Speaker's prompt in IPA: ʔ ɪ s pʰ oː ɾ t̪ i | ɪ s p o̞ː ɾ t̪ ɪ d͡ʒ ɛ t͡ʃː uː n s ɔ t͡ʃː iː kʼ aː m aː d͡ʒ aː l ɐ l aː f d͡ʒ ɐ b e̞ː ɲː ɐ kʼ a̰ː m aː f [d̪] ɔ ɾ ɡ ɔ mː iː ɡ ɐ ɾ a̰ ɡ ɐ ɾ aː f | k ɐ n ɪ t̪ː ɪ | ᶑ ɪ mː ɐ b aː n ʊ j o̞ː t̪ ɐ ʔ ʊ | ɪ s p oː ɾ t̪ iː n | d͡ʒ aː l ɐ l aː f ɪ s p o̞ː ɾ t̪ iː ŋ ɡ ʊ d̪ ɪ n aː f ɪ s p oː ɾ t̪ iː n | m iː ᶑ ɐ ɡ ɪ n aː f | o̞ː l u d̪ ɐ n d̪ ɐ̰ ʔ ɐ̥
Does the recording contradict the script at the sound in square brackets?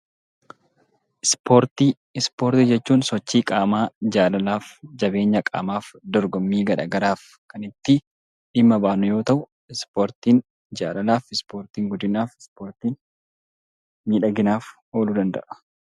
no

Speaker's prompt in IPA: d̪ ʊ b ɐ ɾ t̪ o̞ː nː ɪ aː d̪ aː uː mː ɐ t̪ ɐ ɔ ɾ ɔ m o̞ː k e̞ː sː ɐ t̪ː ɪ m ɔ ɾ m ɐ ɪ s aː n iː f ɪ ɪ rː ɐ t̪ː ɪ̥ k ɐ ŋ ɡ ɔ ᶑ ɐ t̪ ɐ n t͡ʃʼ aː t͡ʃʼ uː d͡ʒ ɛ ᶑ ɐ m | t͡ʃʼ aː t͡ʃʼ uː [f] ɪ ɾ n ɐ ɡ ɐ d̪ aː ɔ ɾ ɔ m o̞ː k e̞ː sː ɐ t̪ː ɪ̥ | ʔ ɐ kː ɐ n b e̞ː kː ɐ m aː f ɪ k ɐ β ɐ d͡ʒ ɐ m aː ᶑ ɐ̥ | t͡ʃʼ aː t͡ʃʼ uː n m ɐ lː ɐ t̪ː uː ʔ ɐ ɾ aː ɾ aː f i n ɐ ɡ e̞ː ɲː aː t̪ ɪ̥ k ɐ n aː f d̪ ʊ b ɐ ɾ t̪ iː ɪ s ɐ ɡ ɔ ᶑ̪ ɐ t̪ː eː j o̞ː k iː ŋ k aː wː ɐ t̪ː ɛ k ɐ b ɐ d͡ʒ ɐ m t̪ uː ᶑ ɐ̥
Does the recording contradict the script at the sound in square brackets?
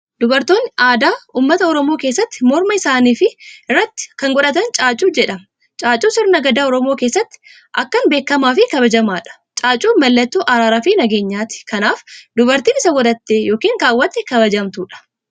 yes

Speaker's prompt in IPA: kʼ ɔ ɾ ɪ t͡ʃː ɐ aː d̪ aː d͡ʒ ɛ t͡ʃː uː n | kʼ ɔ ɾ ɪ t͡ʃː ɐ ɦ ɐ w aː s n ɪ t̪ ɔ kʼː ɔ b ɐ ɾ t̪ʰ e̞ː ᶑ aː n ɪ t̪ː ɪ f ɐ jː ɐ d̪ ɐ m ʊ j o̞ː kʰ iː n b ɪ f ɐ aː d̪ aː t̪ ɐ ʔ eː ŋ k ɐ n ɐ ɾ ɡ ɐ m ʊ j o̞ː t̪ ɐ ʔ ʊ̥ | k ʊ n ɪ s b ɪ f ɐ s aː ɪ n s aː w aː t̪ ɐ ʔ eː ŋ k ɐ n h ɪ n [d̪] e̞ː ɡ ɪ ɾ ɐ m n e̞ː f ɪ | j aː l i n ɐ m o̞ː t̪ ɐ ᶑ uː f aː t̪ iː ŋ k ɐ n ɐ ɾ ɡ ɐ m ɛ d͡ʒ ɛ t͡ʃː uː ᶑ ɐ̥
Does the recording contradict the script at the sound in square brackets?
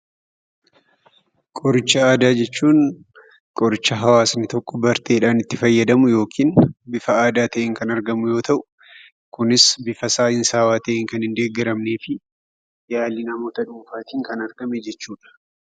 no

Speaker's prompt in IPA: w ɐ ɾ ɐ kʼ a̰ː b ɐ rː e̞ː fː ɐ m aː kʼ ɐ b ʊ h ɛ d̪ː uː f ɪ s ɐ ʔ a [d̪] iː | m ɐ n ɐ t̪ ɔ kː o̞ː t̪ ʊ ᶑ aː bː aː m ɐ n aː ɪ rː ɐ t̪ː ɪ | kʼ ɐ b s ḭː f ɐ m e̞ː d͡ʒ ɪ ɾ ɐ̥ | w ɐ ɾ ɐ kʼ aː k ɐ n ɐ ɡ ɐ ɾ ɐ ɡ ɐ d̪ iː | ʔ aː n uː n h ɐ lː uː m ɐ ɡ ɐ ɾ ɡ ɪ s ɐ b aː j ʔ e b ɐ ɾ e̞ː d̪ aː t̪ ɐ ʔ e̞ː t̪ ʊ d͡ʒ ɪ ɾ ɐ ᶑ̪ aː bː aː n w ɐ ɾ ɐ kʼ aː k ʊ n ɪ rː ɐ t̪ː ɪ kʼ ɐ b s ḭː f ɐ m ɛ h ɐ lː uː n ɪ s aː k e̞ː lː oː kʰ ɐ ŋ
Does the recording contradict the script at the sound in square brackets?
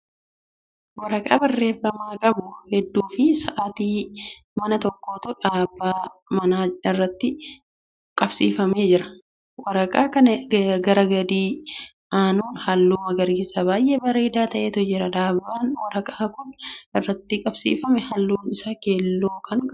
yes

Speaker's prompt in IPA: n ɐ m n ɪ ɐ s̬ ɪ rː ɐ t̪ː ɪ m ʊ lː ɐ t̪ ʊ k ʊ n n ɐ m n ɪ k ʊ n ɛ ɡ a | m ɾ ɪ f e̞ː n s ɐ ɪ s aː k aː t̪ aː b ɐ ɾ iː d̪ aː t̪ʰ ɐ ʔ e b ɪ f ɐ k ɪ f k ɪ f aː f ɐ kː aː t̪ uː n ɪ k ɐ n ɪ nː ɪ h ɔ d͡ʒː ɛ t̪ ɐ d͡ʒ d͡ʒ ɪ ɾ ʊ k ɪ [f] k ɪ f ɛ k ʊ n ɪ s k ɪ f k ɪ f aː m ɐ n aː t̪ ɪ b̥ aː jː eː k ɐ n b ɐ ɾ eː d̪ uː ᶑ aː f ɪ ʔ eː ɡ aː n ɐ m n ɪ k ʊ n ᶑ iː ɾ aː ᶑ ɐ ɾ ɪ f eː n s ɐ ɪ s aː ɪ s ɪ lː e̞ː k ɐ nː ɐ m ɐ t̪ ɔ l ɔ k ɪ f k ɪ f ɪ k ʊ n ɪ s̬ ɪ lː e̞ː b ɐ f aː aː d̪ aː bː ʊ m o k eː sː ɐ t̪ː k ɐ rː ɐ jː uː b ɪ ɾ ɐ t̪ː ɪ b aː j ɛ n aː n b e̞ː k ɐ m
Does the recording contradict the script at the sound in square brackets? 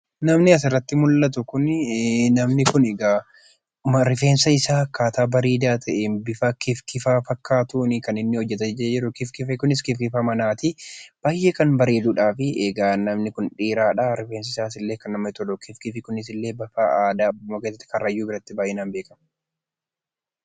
no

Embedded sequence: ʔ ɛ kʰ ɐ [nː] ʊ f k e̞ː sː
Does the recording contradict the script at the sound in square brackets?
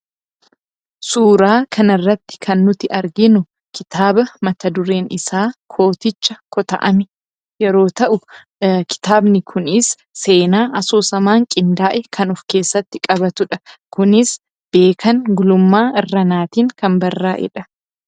yes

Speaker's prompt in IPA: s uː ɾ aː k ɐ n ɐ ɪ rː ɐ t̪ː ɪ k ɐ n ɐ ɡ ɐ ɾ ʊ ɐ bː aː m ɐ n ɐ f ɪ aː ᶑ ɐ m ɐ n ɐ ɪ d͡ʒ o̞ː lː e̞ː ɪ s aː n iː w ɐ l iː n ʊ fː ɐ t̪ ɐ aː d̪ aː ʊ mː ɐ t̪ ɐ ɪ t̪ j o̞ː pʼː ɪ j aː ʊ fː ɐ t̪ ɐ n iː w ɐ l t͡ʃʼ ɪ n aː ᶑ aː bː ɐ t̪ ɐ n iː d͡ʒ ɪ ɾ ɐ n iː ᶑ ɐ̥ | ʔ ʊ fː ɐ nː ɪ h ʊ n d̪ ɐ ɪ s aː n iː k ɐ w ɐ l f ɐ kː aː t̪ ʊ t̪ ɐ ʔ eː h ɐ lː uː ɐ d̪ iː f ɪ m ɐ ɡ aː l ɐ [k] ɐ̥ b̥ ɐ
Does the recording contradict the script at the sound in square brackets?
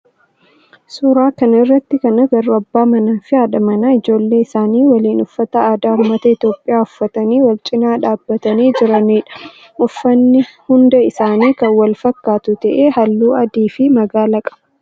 yes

